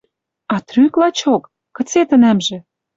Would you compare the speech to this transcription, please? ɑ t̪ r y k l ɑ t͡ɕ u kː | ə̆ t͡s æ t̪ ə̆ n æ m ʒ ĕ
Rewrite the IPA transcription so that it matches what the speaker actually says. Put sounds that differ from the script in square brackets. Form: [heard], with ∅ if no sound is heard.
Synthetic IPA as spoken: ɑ t̪ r y k l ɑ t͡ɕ [o] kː | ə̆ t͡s [e] t̪ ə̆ n æ m ʒ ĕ